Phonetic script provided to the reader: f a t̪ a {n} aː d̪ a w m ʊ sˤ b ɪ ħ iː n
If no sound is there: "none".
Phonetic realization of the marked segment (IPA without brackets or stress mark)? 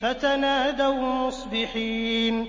n